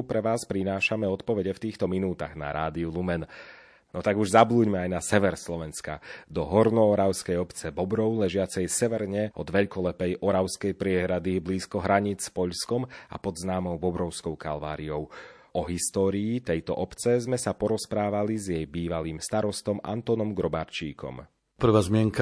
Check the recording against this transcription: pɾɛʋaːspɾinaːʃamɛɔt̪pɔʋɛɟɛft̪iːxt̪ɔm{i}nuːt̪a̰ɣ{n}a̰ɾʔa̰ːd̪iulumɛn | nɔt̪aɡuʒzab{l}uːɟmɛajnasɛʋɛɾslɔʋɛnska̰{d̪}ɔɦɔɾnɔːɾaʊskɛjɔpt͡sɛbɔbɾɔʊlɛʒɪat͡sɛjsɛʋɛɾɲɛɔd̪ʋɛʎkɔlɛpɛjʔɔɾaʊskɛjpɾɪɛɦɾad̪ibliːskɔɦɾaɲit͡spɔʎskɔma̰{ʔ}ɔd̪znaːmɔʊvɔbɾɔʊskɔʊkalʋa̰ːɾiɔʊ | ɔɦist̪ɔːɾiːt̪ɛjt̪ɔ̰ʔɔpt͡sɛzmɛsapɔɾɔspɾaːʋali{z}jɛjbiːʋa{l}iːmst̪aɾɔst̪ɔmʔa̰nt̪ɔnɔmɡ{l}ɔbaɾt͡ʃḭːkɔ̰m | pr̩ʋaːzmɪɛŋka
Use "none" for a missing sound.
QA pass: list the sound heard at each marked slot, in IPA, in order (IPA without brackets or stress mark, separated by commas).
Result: i, n, l, d̪, p, z, l, ɾ